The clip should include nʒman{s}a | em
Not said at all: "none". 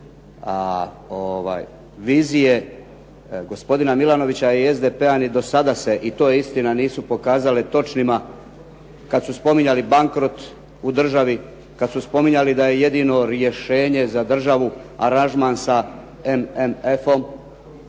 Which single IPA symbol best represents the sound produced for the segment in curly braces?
s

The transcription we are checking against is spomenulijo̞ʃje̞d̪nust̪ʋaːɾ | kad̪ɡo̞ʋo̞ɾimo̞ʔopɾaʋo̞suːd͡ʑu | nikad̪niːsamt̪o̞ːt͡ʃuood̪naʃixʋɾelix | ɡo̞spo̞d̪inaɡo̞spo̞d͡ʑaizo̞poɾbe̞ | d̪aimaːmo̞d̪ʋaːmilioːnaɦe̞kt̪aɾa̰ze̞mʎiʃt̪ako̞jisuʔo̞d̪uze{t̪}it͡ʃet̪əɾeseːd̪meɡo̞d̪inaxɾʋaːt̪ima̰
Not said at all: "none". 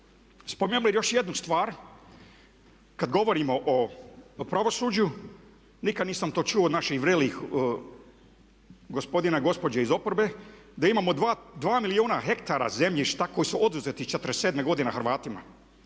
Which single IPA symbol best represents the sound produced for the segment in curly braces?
t̪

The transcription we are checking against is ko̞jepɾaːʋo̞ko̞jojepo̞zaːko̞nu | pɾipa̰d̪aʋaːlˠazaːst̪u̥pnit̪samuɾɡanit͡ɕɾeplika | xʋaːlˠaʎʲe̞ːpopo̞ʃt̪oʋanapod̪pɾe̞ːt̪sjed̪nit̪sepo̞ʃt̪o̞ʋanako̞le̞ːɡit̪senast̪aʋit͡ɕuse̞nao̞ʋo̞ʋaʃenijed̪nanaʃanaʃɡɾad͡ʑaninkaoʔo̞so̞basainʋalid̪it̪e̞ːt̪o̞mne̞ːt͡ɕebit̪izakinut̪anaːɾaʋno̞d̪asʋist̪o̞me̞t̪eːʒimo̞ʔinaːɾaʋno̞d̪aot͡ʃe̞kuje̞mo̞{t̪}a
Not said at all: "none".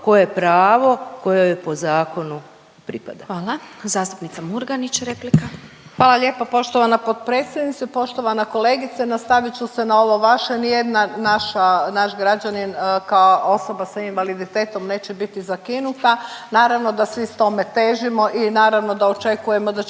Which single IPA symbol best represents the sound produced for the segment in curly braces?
d̪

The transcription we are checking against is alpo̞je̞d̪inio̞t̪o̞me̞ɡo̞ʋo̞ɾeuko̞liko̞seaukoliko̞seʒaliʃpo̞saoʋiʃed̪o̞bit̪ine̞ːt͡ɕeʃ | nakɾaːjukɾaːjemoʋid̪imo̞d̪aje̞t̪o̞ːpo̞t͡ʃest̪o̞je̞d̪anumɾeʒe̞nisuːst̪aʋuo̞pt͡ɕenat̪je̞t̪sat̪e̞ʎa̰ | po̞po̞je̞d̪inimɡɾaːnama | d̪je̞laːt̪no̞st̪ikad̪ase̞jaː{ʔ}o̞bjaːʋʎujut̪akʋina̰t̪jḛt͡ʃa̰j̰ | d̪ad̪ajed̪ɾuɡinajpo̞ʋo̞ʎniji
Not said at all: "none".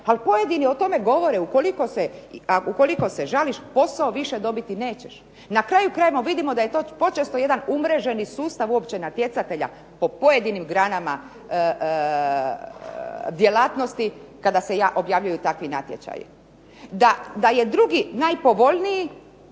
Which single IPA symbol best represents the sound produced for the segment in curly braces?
ʔ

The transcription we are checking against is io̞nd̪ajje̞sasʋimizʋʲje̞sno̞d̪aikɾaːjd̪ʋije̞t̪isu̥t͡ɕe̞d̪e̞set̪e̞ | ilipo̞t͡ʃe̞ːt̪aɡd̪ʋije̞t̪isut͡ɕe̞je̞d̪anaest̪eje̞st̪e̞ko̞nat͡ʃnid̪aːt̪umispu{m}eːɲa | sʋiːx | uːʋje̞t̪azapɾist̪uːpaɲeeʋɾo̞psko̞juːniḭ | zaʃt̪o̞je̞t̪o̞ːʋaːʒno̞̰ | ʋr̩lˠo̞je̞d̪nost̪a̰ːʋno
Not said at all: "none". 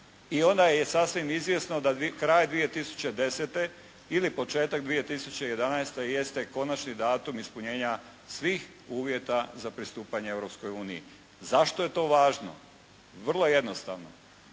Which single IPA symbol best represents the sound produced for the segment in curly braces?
ɲ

